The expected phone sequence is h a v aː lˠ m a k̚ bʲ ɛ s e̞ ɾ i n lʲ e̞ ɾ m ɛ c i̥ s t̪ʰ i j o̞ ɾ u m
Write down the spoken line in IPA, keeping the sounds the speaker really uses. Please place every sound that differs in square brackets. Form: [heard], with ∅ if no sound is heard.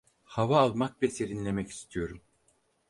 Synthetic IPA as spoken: h a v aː lˠ m a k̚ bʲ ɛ s e̞ ɾ i n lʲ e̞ [∅] m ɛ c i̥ s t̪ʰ i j o̞ ɾ u m